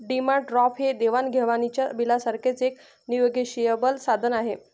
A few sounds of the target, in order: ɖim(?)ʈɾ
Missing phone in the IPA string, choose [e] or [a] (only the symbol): a